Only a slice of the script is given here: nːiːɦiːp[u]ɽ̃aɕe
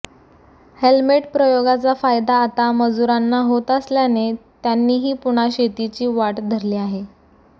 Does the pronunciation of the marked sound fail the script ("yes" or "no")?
no